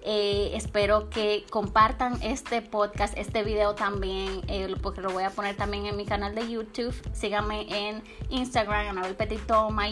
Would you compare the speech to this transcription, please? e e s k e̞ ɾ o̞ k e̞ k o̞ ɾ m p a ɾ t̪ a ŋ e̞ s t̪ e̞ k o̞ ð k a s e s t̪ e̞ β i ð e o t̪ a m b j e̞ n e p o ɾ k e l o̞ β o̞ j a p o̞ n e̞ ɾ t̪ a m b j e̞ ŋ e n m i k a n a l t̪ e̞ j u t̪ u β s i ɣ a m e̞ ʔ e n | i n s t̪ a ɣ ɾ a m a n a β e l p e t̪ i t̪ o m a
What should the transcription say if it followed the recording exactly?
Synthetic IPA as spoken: e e s p e̞ ɾ o̞ k e̞ k o̞ m p a ɾ t̪ a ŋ e̞ s t̪ e̞ p o̞ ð k a s e s t̪ e̞ β i ð e o t̪ a m b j e̞ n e p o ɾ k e l o̞ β o̞ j a p o̞ n e̞ ɾ t̪ a m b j e̞ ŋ e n m i k a n a l d̪ e̞ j u t̪ u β s i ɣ a m e̞ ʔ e n | i n s t̪ a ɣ ɾ a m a n a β e l p e t̪ i t̪ o m a